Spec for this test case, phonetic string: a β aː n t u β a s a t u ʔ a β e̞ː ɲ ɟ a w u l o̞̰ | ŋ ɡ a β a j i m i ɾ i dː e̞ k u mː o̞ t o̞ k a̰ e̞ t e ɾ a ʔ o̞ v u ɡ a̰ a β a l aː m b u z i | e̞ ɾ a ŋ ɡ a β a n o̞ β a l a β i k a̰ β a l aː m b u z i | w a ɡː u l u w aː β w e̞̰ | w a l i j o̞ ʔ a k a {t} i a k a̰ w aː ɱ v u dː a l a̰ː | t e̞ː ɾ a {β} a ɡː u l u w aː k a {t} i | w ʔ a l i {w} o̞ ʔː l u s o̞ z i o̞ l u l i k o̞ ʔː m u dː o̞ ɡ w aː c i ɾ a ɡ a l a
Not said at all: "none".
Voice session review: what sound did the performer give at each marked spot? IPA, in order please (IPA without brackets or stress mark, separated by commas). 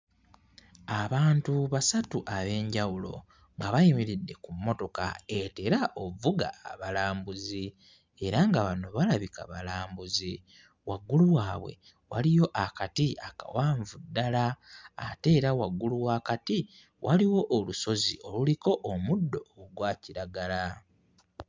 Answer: t, w, t, w